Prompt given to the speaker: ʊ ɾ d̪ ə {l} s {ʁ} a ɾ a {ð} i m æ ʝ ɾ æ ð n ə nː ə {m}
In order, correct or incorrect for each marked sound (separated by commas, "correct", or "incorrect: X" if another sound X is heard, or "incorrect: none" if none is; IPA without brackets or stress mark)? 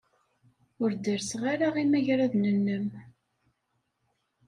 incorrect: ɾ, correct, incorrect: ʁ, correct